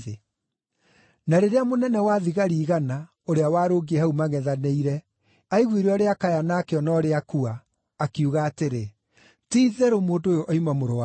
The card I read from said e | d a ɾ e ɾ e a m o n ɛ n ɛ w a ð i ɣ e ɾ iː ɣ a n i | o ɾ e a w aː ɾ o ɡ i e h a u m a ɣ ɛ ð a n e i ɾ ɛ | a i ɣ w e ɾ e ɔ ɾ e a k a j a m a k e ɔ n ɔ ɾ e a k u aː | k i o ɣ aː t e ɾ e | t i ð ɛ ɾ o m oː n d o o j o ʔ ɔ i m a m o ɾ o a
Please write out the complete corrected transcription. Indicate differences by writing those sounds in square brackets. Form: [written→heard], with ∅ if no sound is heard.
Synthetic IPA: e | [d→n] a ɾ e ɾ e a m o n ɛ n ɛ w a ð i ɣ [e→a] ɾ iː ɣ a n [i→a] | o ɾ e a w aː ɾ o ɡ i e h a u m a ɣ ɛ ð a n e i ɾ ɛ | a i ɣ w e ɾ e ɔ ɾ e a k a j a [m→n] a k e ɔ n ɔ ɾ e a k u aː | k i [o→u] ɣ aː t e ɾ e | t i ð ɛ ɾ o m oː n d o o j o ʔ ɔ i m a m o ɾ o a